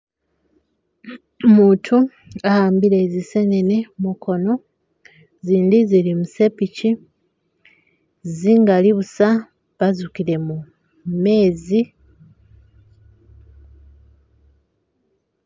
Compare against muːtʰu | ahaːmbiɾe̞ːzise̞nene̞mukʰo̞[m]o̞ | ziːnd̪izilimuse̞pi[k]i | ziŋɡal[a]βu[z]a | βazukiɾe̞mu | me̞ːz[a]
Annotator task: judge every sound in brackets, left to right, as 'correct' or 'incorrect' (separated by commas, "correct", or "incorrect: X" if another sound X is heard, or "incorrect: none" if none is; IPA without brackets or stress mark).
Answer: incorrect: n, incorrect: c, incorrect: i, incorrect: s, incorrect: i